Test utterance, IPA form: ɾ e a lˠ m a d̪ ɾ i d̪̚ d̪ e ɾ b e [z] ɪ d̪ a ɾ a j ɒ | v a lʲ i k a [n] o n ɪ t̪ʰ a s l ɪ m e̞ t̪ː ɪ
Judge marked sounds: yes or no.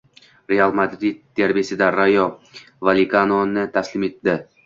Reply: no, yes

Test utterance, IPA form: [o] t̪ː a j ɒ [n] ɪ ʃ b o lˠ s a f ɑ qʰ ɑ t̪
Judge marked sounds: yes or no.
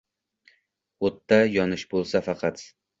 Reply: yes, yes

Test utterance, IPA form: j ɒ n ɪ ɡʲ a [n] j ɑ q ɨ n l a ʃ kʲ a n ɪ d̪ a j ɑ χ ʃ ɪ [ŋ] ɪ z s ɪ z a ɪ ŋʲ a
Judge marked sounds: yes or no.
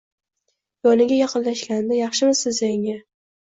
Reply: no, no

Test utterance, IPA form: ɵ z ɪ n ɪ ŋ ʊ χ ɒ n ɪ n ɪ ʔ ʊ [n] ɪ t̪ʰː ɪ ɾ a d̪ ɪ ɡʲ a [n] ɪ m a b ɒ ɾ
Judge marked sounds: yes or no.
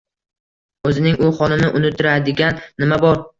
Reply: yes, no

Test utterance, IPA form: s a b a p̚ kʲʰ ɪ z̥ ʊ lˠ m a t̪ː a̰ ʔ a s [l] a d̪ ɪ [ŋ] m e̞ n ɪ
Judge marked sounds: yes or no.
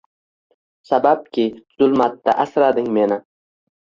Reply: no, yes

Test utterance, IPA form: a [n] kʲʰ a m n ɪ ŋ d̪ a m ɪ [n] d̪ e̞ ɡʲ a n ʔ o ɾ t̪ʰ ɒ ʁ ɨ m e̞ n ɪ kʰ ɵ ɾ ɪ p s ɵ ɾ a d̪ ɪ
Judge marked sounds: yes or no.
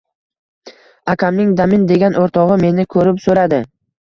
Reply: no, yes

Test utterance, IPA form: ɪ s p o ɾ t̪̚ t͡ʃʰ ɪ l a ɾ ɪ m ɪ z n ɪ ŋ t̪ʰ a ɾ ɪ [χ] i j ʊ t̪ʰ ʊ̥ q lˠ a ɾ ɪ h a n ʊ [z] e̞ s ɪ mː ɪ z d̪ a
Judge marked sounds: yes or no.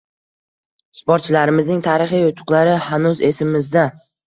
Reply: yes, yes

